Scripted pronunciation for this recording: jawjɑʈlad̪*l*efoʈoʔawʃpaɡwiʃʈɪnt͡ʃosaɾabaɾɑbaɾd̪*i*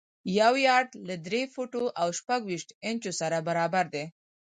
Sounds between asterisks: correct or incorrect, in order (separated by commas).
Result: incorrect, incorrect